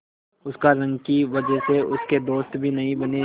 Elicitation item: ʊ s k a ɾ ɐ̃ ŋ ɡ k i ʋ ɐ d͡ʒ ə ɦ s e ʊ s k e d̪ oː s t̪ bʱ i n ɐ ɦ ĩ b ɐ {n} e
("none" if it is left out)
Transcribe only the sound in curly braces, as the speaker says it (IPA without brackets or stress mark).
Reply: n